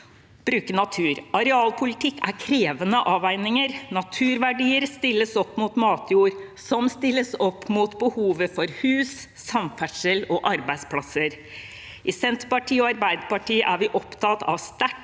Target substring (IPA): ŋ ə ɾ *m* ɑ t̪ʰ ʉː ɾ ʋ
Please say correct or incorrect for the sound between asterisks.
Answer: incorrect: n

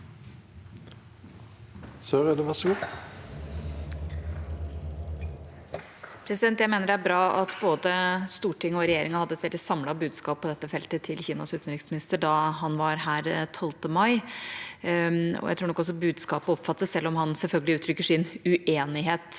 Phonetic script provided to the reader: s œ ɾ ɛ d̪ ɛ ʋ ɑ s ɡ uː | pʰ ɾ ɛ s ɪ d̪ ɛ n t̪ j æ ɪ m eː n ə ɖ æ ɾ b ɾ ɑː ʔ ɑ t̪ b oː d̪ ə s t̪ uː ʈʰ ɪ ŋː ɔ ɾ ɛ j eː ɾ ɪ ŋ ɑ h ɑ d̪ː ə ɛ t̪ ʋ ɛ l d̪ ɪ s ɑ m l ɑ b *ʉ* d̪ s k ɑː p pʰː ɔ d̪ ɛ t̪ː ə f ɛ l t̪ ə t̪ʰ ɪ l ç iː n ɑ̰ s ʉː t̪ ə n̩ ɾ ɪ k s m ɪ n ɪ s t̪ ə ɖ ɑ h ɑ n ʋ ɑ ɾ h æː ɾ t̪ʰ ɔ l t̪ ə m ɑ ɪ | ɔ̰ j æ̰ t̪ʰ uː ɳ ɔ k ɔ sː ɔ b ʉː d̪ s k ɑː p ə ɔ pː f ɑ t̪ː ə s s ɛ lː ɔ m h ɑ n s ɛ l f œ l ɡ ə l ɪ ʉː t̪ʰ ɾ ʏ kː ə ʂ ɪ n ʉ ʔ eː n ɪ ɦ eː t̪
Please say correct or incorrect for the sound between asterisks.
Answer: incorrect: ʉː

